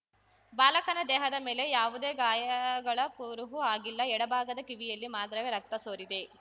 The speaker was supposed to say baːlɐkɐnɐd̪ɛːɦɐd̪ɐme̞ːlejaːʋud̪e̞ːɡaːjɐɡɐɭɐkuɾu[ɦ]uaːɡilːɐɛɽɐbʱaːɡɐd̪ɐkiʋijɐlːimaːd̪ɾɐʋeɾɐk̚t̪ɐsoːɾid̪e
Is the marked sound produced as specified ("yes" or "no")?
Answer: yes